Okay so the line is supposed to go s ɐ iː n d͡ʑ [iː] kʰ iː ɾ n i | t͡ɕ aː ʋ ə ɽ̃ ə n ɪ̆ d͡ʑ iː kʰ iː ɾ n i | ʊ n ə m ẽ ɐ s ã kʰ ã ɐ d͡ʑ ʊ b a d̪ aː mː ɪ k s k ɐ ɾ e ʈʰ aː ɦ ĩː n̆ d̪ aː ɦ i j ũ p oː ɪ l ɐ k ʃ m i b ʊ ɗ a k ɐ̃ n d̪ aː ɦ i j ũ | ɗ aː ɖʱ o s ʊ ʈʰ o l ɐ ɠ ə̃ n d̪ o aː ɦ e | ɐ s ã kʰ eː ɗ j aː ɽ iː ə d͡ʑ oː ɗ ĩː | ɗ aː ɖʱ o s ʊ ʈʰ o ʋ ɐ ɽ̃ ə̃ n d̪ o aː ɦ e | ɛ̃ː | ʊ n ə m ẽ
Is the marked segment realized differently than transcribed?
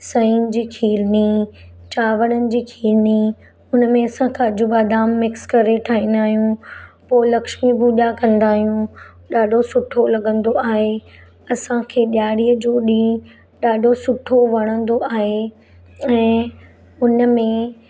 no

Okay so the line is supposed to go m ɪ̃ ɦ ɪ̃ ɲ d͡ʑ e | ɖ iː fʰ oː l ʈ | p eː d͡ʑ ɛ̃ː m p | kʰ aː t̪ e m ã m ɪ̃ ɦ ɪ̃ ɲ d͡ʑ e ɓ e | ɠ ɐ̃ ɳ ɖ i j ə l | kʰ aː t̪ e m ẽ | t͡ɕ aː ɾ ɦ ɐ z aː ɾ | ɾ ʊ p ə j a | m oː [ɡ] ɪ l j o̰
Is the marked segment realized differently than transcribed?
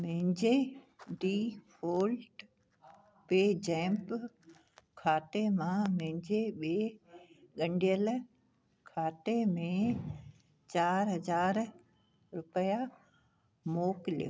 yes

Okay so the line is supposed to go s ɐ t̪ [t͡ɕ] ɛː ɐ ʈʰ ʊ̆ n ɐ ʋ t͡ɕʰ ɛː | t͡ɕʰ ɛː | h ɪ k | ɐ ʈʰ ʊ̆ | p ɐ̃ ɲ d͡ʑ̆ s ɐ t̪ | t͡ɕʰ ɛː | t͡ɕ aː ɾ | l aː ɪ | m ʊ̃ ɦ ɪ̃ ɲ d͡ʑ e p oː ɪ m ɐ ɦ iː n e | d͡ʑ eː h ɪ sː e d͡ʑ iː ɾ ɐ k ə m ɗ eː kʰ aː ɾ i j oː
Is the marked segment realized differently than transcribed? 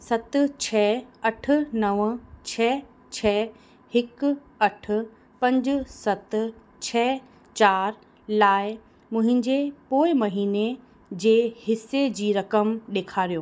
yes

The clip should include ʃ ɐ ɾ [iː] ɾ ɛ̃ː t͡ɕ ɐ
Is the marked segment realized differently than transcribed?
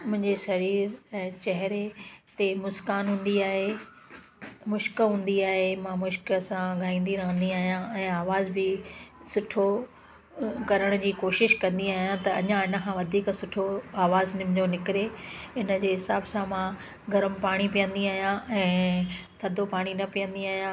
no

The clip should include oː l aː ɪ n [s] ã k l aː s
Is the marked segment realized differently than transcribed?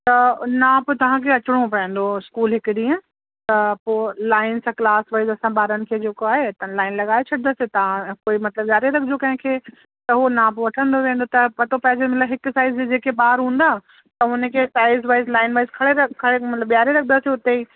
no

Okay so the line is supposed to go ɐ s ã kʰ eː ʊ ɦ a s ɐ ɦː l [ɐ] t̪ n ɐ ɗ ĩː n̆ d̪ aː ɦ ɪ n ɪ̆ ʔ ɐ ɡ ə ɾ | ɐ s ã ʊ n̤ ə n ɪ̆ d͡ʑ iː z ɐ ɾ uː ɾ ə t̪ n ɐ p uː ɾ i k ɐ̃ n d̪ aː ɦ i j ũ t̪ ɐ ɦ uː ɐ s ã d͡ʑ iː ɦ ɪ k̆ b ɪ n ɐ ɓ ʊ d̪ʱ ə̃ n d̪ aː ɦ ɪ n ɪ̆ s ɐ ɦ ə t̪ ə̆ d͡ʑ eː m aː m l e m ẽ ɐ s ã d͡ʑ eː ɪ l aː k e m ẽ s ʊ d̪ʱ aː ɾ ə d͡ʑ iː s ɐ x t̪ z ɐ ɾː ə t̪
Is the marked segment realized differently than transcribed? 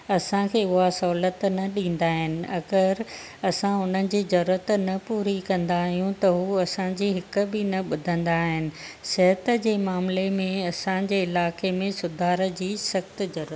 yes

